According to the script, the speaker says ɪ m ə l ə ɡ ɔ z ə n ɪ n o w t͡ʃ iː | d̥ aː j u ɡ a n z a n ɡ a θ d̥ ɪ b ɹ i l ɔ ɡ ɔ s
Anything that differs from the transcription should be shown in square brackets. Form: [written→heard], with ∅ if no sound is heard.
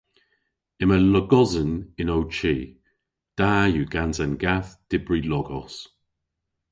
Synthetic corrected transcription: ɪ m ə l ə ɡ ɔ z ə n ɪ n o w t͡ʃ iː | d̥ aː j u ɡ a n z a n ɡ a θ d̥ ɪ b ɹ i l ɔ ɡ ɔ s